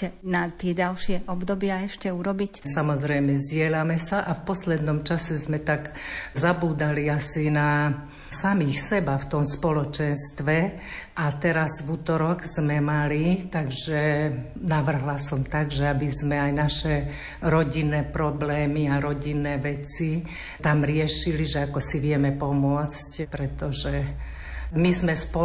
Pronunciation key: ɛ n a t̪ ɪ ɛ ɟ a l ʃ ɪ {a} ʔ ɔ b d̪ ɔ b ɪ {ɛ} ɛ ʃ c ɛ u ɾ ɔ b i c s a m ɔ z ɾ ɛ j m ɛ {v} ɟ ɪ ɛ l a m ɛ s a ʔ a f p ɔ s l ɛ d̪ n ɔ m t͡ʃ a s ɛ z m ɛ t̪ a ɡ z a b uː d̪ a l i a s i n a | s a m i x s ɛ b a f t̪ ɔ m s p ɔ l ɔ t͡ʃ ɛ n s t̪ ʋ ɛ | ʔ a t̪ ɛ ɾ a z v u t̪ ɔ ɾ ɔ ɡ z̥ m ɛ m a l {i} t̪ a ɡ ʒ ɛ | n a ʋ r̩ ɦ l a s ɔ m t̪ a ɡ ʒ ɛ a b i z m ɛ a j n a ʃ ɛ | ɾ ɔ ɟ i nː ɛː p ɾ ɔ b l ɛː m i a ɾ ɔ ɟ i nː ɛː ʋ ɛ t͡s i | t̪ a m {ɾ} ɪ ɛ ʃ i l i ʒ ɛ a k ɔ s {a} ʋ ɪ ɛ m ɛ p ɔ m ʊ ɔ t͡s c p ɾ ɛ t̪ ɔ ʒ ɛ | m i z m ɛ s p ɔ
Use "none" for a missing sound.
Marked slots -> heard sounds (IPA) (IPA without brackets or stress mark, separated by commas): ɛ, a, z, i, ɾ, i